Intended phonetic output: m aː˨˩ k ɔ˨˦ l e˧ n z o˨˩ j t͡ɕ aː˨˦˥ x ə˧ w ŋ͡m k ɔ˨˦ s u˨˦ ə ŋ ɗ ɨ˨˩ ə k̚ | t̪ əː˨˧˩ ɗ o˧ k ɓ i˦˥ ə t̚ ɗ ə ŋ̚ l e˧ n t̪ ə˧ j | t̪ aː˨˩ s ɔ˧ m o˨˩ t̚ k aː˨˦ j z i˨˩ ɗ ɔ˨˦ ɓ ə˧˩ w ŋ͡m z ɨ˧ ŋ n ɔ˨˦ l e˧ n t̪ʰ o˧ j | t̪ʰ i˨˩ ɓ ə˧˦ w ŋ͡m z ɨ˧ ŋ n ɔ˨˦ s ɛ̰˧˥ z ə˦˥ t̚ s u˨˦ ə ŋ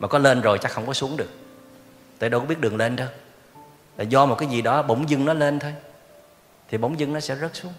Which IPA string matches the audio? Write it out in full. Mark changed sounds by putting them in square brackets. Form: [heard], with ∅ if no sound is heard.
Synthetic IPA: m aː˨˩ k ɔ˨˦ l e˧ n z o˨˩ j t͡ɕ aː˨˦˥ x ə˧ w ŋ͡m k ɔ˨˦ s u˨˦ ə ŋ ɗ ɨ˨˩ ə k̚ | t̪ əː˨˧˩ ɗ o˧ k ɓ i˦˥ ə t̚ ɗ ə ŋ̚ l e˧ n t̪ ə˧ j | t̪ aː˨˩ [z] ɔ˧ m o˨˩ t̚ k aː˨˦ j z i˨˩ ɗ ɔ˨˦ ɓ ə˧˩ w ŋ͡m z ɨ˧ ŋ n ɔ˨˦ l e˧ n t̪ʰ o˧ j | t̪ʰ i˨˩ ɓ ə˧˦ w ŋ͡m z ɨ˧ ŋ n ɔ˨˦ s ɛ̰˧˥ z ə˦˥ t̚ s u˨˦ ə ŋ